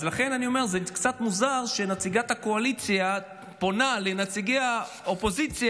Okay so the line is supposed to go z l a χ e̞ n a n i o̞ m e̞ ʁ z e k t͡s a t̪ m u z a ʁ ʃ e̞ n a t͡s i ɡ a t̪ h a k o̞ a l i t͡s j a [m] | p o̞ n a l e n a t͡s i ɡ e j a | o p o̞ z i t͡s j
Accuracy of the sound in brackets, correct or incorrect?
incorrect